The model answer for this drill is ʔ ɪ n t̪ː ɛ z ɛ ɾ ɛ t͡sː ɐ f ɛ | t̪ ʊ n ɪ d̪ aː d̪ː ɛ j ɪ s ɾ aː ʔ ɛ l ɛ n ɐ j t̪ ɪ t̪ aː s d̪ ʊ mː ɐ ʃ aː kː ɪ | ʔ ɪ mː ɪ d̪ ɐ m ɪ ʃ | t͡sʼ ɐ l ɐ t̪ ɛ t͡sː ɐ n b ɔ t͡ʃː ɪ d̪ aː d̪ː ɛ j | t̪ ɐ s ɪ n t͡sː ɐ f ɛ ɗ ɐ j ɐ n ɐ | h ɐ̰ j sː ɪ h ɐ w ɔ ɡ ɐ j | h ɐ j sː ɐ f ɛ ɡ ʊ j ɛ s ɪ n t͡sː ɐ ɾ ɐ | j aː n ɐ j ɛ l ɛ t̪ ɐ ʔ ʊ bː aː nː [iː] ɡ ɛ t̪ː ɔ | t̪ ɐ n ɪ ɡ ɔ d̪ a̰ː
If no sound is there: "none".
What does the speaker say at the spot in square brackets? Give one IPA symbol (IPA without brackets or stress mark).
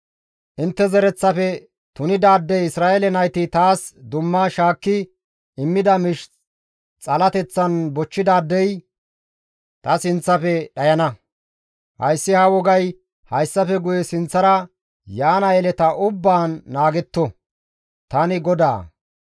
aː